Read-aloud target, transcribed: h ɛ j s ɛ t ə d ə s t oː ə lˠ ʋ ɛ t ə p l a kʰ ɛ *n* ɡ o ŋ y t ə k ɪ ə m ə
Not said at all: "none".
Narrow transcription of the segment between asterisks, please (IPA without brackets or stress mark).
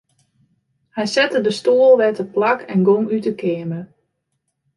n